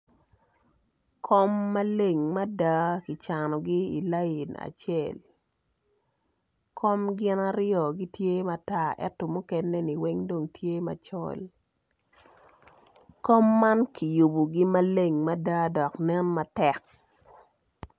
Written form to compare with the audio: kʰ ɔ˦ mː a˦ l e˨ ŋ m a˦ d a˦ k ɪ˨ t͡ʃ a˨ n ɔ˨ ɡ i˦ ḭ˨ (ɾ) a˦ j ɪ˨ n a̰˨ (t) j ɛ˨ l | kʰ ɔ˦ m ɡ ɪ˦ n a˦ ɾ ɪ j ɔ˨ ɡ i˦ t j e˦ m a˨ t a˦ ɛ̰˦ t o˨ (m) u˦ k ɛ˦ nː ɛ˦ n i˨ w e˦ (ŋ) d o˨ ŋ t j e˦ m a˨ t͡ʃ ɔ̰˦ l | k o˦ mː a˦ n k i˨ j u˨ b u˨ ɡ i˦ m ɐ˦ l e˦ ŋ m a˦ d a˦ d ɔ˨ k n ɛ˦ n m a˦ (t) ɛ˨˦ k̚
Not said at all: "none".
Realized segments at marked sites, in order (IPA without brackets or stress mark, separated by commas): l, t͡ʃ, m, ŋ, t